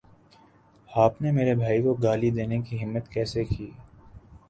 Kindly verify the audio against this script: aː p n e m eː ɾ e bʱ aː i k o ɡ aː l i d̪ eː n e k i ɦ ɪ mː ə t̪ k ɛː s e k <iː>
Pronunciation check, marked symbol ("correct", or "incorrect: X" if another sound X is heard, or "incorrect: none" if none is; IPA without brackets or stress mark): correct